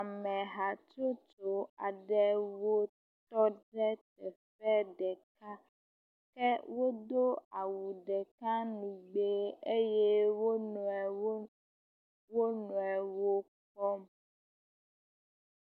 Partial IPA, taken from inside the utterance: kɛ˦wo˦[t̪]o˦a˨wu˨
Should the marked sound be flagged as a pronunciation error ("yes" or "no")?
yes